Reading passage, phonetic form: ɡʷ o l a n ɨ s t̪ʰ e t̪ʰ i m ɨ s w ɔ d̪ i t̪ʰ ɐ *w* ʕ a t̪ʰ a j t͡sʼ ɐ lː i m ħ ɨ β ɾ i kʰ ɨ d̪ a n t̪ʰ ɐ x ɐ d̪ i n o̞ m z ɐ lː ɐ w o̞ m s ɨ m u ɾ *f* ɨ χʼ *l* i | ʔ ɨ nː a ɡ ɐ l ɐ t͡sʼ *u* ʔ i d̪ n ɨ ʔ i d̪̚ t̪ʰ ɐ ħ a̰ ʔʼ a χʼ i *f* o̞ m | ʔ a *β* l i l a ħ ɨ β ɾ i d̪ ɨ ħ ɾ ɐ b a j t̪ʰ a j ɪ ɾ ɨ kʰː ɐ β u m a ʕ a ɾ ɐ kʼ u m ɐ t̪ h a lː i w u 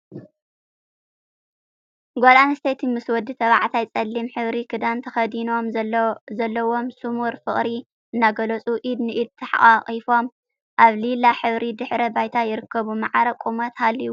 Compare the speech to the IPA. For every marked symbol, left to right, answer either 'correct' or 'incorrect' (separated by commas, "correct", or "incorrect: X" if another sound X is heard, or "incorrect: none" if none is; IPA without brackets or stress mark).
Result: incorrect: β, correct, incorrect: ɾ, correct, correct, correct